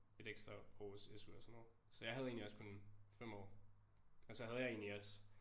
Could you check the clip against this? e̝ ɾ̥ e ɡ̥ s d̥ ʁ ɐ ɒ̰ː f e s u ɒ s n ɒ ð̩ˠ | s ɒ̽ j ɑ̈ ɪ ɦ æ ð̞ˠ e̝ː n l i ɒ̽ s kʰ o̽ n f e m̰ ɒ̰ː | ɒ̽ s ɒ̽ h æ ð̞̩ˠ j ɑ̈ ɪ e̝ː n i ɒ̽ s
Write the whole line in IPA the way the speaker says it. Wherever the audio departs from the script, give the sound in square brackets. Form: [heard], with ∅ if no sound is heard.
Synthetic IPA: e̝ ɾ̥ e ɡ̥ s d̥ ʁ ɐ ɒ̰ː [s] e s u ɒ s n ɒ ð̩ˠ | s ɒ̽ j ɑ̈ ɪ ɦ æ ð̞ˠ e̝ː n l i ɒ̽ s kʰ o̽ n f e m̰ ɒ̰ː | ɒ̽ s ɒ̽ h æ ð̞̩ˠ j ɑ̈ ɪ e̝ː n i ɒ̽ s